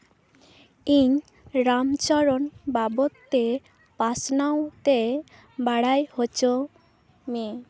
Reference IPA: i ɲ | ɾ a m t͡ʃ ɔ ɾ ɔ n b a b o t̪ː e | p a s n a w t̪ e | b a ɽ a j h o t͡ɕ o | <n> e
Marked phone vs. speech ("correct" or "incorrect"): incorrect